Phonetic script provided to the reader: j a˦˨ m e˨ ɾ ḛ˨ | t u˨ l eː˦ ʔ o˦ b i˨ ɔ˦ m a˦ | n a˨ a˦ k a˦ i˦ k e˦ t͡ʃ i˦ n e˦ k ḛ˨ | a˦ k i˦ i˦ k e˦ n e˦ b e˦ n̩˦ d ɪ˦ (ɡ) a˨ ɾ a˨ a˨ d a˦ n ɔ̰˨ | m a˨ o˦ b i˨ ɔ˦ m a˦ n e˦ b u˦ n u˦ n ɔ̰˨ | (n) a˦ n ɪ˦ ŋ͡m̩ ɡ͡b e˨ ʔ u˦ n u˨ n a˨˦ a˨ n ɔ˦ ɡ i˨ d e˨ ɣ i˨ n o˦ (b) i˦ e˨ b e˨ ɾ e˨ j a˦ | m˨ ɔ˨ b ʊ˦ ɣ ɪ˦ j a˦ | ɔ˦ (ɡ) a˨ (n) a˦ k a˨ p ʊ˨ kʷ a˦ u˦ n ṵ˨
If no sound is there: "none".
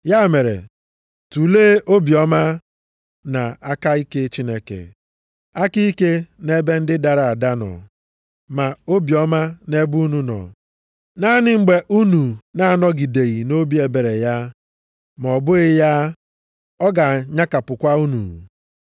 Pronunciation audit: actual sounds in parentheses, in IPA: d, n, b, ɡ, ɲ

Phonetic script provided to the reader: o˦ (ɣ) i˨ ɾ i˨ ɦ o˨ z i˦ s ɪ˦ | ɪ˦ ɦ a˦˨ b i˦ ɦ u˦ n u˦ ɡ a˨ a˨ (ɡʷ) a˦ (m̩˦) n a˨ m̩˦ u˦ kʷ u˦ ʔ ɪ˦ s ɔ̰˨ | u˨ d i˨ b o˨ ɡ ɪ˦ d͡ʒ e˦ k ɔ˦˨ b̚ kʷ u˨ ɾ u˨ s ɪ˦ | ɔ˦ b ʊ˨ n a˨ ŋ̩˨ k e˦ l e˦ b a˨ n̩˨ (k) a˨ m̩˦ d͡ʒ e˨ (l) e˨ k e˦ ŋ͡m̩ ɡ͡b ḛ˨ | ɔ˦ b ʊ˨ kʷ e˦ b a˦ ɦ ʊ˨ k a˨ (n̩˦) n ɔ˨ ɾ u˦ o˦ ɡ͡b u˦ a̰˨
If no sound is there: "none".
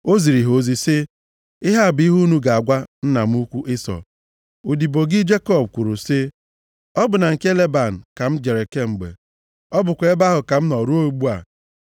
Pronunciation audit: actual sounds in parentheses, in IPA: z, ɡʷ, n̩˦, k, ɾ, m̩˦

